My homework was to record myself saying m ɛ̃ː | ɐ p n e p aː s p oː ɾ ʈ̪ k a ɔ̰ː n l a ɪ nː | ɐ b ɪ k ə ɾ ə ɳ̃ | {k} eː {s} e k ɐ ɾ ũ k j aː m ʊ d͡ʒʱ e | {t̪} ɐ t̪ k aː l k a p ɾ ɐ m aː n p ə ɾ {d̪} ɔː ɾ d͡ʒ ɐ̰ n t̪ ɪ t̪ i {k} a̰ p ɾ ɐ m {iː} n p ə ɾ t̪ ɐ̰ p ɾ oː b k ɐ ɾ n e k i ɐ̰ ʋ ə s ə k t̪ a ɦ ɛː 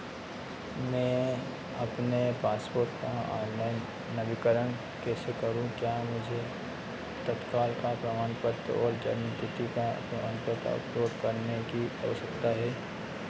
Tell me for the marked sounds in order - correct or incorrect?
correct, correct, correct, incorrect: t̪, correct, incorrect: aː

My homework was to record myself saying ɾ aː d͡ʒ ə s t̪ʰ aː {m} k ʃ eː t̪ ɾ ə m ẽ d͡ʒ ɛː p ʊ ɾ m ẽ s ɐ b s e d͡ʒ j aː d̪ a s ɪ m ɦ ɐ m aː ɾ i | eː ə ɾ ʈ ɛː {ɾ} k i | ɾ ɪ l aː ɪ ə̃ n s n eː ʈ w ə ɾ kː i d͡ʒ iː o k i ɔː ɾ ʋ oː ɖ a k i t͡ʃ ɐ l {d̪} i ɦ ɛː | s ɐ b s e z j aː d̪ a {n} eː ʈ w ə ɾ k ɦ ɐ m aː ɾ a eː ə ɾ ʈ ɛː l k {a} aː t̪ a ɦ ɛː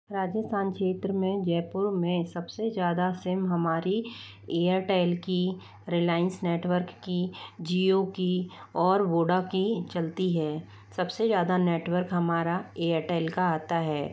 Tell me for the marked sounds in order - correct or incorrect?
incorrect: n, incorrect: l, incorrect: t̪, correct, correct

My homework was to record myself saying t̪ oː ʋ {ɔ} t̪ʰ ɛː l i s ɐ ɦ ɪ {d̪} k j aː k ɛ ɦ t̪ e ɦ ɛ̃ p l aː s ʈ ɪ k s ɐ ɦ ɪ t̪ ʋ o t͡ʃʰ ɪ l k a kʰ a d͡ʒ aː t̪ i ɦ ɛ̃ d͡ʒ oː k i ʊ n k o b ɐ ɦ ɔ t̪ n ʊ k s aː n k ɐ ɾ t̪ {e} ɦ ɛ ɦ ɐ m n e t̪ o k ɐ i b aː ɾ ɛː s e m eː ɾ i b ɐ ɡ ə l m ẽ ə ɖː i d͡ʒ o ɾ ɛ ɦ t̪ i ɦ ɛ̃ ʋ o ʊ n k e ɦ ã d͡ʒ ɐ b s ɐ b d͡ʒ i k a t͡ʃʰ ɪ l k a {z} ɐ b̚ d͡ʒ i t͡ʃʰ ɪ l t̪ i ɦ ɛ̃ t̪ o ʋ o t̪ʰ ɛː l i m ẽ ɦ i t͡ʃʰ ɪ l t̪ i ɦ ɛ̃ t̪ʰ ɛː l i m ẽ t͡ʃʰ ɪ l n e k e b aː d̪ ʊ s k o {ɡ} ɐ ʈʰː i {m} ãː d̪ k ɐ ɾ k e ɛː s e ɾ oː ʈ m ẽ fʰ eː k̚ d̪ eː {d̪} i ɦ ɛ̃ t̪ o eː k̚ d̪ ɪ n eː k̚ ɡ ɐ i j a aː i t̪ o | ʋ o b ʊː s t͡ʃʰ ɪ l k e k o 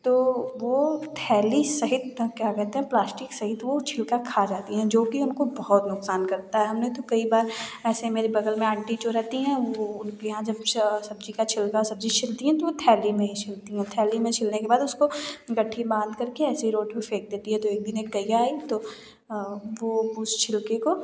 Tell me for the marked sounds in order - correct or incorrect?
incorrect: o, incorrect: t̪, incorrect: a, incorrect: s, correct, incorrect: b, incorrect: t̪

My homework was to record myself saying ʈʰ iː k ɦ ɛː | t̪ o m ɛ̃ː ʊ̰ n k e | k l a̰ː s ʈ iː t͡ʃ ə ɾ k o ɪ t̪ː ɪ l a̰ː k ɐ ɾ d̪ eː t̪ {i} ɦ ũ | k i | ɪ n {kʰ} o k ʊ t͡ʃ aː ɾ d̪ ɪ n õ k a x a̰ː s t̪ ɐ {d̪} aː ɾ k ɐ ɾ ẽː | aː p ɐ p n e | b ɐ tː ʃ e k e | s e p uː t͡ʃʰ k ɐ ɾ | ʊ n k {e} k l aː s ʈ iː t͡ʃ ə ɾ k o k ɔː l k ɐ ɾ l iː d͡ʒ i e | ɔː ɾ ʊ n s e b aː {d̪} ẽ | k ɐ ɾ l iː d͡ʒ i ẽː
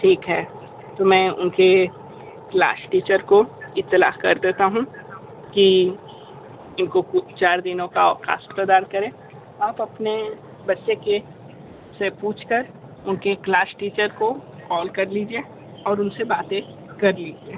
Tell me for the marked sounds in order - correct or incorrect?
incorrect: a, incorrect: k, correct, correct, incorrect: t̪

